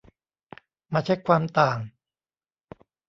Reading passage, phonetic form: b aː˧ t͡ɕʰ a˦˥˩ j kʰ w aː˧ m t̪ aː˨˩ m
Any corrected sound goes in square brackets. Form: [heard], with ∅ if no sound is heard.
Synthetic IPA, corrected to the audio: [m] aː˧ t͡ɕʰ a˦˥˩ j kʰ w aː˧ m t̪ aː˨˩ [ŋ]